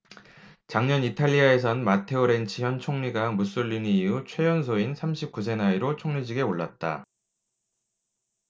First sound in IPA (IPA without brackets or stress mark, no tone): t͡ɕ